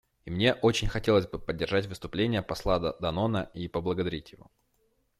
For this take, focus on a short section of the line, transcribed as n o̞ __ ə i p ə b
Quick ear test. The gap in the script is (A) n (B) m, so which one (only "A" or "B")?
A